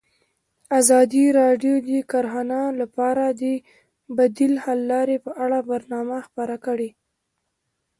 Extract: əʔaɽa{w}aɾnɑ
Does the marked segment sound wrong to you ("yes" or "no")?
yes